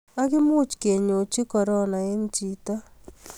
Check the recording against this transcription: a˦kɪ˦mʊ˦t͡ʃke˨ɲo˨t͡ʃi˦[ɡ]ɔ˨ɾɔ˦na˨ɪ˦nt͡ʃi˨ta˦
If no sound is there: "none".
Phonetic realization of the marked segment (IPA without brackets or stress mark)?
k